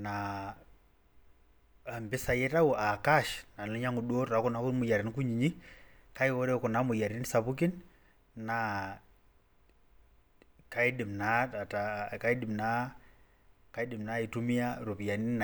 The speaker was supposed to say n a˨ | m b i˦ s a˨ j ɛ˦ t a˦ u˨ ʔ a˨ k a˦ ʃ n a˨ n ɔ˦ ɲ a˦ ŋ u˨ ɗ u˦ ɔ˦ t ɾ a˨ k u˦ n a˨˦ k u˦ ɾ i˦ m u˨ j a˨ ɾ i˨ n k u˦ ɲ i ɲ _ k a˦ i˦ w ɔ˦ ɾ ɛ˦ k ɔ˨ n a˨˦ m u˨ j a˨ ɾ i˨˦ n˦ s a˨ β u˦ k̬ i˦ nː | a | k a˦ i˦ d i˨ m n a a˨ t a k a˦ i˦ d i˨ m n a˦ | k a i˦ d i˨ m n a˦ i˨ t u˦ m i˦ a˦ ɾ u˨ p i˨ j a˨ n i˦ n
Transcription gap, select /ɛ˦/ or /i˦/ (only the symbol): i˦